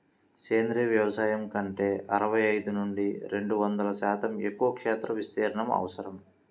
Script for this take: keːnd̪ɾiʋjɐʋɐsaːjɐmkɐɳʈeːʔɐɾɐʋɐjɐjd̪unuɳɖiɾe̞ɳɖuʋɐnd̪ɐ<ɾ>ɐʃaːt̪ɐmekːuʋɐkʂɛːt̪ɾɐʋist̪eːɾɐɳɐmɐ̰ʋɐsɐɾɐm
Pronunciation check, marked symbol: incorrect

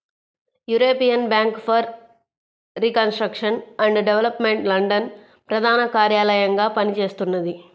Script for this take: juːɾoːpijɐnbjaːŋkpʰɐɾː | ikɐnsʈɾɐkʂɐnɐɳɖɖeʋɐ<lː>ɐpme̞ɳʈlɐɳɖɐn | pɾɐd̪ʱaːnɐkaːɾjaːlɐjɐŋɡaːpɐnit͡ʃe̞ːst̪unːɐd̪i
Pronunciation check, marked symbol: incorrect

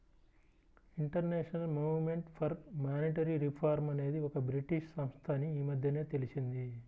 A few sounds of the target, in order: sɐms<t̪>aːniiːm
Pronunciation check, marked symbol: incorrect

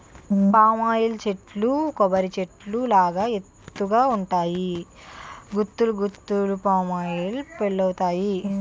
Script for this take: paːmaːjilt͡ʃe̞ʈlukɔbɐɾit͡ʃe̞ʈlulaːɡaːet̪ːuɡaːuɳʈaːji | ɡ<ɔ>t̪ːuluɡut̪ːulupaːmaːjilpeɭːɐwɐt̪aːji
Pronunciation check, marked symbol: incorrect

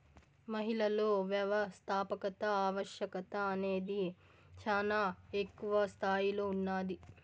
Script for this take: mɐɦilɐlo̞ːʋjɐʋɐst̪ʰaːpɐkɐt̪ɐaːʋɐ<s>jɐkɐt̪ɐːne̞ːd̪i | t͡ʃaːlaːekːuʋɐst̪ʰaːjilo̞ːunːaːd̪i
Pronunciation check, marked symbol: incorrect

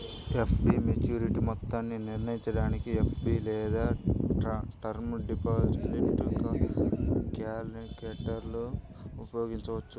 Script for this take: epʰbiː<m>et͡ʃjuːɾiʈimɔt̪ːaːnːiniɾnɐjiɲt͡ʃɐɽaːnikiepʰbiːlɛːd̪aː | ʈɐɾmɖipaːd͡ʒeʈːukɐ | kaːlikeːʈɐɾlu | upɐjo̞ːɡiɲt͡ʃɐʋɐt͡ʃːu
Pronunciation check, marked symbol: correct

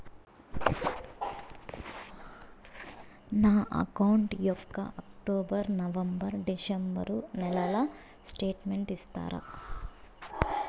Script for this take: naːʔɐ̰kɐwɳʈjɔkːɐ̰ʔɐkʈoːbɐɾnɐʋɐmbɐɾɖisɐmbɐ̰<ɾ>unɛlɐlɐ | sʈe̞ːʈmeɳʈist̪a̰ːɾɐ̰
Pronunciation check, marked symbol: correct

